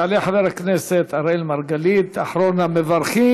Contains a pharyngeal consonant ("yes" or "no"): yes